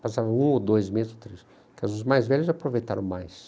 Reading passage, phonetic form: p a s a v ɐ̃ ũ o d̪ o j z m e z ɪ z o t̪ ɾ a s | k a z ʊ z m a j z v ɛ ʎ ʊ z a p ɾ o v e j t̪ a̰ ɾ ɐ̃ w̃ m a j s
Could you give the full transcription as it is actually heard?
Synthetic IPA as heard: p a s a v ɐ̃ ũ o d̪ o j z m e z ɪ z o t̪ ɾ e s | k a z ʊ z m a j z v ɛ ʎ ʊ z a p ɾ o v e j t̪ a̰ ɾ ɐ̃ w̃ m a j s